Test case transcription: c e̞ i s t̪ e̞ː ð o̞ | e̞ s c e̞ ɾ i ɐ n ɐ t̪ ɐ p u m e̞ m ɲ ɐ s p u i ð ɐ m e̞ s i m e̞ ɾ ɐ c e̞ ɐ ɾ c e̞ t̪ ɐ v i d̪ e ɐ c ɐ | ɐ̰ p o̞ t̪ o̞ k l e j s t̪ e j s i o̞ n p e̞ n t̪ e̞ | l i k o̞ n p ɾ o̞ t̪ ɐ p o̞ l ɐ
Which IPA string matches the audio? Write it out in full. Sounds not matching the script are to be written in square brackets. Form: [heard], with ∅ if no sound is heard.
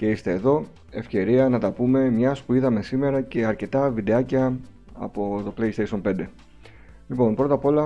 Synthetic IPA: c e̞ i s t̪ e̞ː ð o̞ | e̞ [f] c e̞ ɾ i ɐ n ɐ t̪ ɐ p u m e̞ m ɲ ɐ s p u i ð ɐ m e̞ s i m e̞ ɾ ɐ c e̞ ɐ ɾ c e̞ t̪ ɐ v i d̪ e ɐ c ɐ | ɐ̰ p o̞ t̪ o̞ k l e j s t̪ e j s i o̞ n p e̞ n [d̪] e̞ | l i [p] o̞ n p ɾ o̞ t̪ ɐ p o̞ l ɐ